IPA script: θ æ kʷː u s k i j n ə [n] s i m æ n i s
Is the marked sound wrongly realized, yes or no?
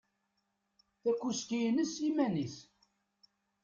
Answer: yes